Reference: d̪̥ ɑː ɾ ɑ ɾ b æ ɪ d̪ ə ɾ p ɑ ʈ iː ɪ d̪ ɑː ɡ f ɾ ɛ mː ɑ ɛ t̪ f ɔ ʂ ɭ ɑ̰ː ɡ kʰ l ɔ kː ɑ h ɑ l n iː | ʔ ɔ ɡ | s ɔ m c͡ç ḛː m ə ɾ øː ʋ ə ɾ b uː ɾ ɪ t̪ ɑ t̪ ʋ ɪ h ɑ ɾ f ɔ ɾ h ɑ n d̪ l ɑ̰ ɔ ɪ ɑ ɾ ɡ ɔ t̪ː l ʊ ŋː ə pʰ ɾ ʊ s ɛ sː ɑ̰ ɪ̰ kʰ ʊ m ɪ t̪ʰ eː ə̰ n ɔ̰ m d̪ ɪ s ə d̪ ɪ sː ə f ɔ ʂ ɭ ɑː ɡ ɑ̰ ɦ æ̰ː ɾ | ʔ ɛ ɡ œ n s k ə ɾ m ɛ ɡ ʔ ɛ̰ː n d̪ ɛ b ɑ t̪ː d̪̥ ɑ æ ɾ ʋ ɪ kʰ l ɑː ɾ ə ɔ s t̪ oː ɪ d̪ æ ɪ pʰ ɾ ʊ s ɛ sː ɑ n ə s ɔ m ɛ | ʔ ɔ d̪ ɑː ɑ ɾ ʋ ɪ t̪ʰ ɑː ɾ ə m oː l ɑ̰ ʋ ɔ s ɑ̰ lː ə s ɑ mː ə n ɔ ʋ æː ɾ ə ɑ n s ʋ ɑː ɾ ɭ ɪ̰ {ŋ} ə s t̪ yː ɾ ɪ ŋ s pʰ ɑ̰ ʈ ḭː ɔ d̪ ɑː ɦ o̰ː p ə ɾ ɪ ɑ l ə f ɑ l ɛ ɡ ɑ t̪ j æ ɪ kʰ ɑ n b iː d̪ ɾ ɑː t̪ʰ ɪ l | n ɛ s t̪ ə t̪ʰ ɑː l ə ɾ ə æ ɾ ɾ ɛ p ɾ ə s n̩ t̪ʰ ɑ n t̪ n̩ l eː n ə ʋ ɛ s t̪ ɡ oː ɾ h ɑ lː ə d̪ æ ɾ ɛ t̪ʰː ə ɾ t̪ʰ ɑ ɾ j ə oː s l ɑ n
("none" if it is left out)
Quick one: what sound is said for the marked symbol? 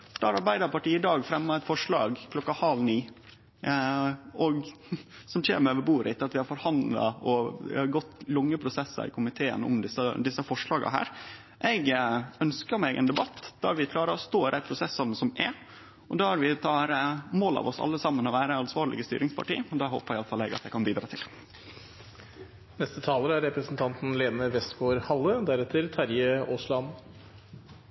ɡ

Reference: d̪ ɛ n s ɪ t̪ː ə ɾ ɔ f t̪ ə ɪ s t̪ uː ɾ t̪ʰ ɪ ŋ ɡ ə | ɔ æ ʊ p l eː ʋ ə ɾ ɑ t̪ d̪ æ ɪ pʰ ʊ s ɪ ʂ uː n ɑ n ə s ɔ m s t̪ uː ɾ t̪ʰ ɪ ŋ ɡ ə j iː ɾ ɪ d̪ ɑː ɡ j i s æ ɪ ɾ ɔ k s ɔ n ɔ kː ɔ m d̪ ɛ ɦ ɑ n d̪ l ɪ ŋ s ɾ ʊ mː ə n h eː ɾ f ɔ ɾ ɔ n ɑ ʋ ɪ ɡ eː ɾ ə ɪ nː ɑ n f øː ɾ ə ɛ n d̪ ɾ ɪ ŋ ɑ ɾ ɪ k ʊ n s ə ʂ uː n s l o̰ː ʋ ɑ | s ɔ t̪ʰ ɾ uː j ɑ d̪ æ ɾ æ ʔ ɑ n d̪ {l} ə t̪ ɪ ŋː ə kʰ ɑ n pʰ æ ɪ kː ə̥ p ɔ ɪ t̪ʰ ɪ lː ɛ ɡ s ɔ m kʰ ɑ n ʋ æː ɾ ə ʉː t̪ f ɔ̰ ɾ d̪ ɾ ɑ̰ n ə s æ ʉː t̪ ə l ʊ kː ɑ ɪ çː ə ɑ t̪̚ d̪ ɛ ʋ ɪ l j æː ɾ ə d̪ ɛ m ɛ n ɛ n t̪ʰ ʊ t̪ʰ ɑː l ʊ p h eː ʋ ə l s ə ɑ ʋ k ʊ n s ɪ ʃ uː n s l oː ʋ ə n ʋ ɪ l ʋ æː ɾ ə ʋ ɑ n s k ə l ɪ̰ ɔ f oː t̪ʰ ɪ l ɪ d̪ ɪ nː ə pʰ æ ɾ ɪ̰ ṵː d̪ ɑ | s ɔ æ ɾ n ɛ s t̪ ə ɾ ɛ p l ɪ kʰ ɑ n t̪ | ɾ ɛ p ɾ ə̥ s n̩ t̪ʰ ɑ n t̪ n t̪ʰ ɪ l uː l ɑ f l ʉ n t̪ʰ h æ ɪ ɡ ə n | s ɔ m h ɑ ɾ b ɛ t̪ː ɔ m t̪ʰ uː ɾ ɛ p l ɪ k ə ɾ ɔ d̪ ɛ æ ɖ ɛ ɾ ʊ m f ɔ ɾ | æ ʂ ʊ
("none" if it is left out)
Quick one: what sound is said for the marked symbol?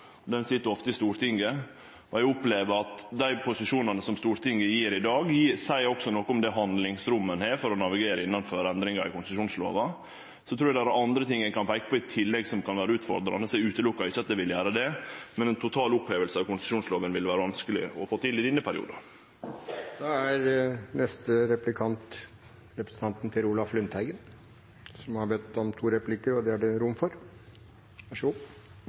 ɾ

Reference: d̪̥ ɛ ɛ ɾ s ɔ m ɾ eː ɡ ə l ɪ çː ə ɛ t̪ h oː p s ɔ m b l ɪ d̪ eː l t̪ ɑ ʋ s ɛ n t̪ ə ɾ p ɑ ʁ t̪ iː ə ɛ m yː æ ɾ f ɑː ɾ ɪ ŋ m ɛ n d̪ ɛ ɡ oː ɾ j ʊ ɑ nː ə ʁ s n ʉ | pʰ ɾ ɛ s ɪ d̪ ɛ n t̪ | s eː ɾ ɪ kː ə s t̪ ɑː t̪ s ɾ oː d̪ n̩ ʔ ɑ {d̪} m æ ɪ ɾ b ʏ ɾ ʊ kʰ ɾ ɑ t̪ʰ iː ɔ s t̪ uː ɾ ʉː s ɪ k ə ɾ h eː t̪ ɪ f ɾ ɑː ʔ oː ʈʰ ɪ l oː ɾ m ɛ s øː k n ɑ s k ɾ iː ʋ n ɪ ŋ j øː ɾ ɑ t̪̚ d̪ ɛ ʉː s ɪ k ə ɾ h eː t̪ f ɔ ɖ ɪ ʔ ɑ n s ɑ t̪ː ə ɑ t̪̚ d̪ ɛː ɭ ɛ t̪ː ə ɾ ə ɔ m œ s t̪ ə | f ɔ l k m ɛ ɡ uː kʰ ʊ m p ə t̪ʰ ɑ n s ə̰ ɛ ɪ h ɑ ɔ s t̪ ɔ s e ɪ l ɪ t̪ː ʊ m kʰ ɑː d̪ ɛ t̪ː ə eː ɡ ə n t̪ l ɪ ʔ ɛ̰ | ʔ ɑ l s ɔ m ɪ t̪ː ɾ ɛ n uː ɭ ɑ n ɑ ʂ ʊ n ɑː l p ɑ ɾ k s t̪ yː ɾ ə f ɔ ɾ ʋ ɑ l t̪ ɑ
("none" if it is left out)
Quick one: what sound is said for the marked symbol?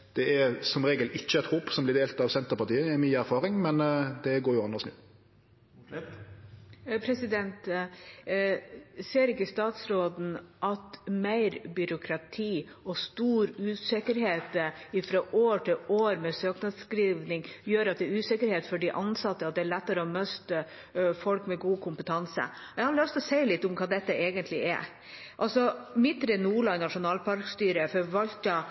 t̪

